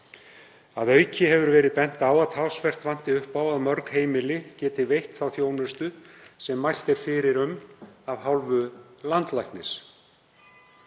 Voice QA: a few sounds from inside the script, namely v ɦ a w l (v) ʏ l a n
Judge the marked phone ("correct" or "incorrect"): correct